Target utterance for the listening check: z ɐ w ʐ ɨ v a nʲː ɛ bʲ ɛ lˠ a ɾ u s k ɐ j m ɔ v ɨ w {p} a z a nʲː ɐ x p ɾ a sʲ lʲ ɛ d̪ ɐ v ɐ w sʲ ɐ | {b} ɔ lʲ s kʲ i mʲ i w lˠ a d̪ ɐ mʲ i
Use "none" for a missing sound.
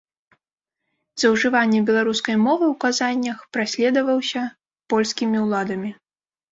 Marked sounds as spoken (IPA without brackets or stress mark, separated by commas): k, p